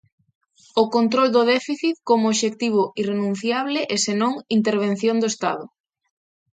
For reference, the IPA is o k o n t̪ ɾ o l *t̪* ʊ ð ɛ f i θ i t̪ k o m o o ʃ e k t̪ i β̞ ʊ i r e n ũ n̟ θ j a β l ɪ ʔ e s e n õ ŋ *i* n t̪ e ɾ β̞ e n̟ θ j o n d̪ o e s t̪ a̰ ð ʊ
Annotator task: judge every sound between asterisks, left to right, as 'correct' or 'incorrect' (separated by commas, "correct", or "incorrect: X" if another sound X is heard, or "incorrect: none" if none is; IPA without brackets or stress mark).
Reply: incorrect: d̪, correct